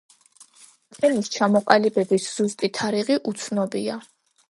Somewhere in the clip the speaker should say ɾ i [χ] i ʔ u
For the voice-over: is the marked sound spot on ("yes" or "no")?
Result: no